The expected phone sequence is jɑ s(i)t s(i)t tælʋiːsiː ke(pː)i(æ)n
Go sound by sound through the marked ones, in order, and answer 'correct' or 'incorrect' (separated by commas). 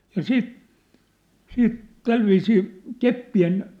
incorrect, incorrect, correct, incorrect